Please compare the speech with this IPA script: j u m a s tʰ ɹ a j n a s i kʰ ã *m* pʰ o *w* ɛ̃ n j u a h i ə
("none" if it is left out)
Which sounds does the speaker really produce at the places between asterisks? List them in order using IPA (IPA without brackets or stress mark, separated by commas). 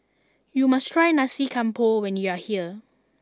m, w